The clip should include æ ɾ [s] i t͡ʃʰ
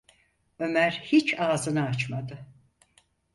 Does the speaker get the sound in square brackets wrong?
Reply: yes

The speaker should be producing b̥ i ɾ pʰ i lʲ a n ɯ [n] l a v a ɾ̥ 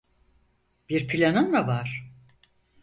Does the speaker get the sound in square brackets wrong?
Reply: no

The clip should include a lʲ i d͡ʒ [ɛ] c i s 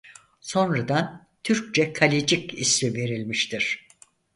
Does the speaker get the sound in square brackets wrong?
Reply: yes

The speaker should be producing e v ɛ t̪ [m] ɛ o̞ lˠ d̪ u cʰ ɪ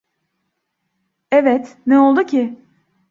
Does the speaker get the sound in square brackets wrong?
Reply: yes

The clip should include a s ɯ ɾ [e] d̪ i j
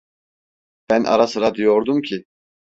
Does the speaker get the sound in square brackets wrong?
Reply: yes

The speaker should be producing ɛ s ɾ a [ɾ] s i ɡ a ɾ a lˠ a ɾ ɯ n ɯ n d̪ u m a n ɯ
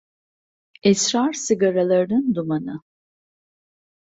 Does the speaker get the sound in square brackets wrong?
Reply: no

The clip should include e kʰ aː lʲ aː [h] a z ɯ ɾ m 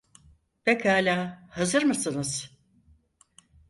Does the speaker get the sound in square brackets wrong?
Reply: no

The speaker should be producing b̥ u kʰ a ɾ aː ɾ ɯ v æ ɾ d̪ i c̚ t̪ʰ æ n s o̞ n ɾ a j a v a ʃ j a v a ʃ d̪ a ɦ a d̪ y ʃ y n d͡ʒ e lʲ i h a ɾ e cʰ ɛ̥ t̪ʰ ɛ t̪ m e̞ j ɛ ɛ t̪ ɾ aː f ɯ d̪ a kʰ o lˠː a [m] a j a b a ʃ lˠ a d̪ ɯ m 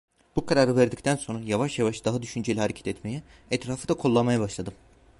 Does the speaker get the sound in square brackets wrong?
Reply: no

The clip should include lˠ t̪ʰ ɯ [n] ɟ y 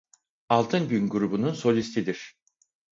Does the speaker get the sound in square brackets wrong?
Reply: no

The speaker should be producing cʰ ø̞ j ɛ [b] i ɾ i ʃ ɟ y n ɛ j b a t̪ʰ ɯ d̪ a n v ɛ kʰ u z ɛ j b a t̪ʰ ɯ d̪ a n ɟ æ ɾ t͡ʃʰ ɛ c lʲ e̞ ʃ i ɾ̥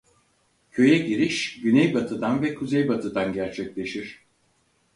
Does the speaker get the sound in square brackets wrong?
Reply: yes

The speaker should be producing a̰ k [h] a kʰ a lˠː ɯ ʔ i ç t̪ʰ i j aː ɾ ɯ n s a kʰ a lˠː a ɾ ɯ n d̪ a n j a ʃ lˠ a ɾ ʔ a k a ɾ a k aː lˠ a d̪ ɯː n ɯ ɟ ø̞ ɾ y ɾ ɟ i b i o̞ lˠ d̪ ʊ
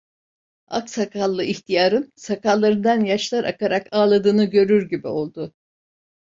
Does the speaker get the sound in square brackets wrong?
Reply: yes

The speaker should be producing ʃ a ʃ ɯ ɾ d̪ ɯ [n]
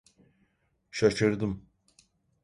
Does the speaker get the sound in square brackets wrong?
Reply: yes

